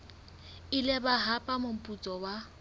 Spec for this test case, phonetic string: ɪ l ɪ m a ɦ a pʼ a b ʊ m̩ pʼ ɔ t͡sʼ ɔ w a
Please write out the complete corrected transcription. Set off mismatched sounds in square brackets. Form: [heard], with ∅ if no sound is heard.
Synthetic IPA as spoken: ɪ l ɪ [b] a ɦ a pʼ a [m] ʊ m̩ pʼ [u] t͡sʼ ɔ w a

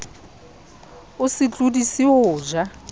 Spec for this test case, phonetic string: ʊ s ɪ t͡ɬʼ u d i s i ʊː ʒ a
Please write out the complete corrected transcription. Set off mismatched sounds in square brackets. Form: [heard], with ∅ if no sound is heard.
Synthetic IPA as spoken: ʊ s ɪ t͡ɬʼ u d i s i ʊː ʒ a

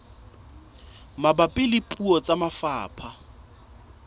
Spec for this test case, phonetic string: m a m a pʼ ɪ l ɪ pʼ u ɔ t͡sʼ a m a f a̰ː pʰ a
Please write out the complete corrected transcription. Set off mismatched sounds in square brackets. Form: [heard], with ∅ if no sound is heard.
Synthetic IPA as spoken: m a [b] a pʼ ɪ l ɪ pʼ u ɔ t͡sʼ a m a f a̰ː pʰ a

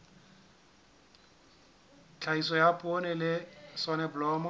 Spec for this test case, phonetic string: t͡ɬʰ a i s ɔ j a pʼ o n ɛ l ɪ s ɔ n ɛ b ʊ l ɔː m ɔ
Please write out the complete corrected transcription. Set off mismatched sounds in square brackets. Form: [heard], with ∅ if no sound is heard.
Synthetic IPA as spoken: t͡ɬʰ a i s ɔ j a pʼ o n ɛ l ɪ s ɔ n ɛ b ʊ l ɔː m ɔ

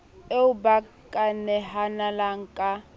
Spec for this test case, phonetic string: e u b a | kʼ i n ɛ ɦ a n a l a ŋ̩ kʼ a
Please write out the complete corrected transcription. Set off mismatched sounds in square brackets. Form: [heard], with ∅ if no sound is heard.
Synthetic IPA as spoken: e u b a | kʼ [a] n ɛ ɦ a n a l a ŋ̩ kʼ a

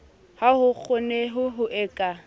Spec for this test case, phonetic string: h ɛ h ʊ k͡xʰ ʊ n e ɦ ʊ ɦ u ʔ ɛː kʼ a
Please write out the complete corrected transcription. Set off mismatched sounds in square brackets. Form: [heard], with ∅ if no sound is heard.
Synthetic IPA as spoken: h [a] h ʊ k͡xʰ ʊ n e ɦ ʊ ɦ [ʊ] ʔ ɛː kʼ a

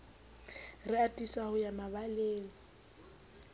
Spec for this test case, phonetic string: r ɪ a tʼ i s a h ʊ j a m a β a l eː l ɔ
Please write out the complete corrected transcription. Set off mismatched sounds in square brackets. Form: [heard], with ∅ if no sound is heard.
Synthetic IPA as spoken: r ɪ a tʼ i s a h ʊ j a m a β a l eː l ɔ

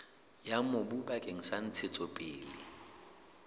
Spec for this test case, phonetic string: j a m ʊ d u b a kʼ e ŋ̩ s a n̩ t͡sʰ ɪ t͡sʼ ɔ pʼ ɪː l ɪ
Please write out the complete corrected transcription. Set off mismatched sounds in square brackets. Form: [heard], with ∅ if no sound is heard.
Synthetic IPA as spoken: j a m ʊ [b] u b a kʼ e ŋ̩ s a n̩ t͡sʰ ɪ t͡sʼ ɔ pʼ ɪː l ɪ

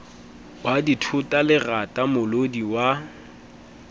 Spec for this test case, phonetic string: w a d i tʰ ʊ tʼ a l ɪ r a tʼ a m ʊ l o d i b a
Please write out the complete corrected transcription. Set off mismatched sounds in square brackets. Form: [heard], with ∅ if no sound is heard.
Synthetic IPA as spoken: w a d i tʰ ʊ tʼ a l ɪ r a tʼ a m ʊ l o d i [w] a

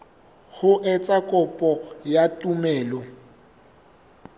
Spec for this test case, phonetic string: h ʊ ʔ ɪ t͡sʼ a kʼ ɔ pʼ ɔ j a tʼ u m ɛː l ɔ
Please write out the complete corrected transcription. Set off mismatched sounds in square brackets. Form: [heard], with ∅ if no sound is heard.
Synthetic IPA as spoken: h ʊ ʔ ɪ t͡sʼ a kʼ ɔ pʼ ɔ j a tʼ u m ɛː l ɔ

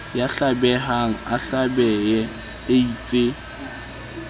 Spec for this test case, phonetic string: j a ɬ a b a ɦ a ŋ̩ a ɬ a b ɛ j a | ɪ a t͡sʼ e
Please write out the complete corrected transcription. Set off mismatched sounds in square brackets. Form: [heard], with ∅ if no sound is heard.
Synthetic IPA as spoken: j a ɬ a b [ɛ] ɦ a ŋ̩ a ɬ a b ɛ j [ɛ] | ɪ [i] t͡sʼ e

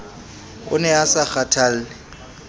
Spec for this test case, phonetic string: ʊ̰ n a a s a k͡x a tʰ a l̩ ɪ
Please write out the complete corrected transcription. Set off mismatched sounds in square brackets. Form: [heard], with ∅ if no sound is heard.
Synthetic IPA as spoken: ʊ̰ n [ɛ] a s a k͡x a tʰ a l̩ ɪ

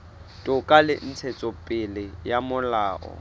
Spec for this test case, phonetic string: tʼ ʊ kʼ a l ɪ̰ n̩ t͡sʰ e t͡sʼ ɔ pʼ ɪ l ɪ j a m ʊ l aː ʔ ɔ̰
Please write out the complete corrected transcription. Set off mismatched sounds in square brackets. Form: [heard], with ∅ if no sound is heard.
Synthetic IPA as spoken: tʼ ʊ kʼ a l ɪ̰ n̩ t͡sʰ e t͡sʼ ɔ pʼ ɪ l ɪ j a m ʊ l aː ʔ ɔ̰

